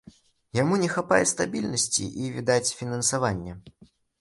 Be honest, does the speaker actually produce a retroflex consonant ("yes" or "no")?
no